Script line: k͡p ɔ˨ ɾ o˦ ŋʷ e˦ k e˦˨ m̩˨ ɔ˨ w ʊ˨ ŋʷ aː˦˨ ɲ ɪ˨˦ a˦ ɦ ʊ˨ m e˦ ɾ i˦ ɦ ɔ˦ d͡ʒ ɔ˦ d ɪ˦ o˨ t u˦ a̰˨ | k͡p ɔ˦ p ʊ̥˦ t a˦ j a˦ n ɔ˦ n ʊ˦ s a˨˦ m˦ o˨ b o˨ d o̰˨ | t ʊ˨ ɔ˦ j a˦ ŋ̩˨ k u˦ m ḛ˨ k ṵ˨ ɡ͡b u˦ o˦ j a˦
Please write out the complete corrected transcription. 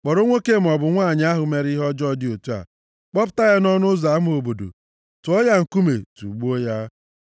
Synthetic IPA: k͡p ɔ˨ ɾ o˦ ŋʷ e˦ k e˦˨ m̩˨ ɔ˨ b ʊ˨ ŋʷ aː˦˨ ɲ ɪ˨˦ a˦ ɦ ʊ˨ m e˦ ɾ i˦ ɦ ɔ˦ d͡ʒ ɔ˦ d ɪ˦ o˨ t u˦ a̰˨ | k͡p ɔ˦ p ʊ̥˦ t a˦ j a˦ n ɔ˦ n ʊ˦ z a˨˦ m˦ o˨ b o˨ d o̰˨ | t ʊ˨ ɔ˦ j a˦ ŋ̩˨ k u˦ m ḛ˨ t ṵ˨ ɡ͡b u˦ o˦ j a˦